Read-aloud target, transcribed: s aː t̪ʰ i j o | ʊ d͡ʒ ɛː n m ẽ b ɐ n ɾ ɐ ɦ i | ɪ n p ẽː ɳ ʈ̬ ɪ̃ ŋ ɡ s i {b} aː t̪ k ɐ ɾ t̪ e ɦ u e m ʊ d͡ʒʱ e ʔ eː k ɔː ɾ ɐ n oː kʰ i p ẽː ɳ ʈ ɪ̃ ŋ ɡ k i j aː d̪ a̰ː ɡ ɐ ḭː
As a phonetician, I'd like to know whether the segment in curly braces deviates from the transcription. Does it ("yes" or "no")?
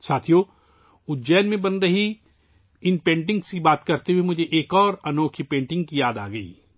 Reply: no